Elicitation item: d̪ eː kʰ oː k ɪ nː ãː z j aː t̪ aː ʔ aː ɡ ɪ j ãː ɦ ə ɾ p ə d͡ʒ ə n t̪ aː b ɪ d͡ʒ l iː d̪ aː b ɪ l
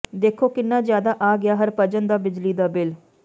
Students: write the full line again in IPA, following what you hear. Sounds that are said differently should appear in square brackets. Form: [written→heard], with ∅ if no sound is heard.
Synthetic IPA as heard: d̪ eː kʰ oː k ɪ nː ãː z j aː [t̪→d̪] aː ʔ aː ɡ ɪ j [ãː→aː] ɦ ə ɾ p ə d͡ʒ ə n [t̪→d̪] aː b ɪ d͡ʒ l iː d̪ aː b ɪ l